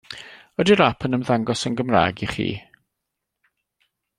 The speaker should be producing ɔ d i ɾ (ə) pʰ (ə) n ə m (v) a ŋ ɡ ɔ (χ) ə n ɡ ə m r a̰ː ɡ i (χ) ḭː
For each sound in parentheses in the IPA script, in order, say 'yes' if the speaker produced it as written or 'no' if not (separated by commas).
no, yes, no, no, yes